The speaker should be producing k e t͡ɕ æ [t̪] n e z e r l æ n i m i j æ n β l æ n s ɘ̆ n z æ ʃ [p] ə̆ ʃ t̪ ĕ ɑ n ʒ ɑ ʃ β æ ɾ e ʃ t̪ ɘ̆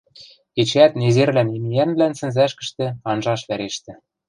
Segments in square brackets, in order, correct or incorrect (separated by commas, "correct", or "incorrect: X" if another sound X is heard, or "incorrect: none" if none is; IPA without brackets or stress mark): correct, incorrect: k